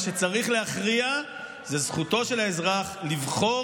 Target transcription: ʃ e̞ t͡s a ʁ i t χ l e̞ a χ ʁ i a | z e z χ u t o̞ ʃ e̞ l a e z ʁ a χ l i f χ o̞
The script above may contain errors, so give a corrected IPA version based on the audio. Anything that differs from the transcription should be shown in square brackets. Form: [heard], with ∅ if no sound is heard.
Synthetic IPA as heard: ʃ e̞ t͡s a ʁ i [∅] χ l e̞ a χ ʁ i a | z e z χ u t o̞ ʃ e̞ l a e z ʁ a χ l i [v] χ o̞